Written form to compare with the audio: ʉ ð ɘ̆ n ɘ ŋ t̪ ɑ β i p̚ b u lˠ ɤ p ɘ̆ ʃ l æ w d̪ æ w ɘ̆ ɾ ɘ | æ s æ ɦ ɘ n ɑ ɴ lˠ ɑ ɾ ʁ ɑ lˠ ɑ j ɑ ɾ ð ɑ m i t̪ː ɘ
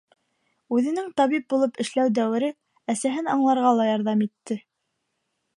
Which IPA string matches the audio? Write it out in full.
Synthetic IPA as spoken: ʉ ð ɘ̆ n ɘ ŋ t̪ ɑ β i p̚ b u lˠ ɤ p ɘ̆ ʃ l æ w d̪ æ w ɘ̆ ɾ ɘ | æ s æ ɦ ɘ n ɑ ɴ lˠ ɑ ɾ ʁ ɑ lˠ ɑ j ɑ ɾ ð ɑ m i t̪ː ɘ